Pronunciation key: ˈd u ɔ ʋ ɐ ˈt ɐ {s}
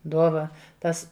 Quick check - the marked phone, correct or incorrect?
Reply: correct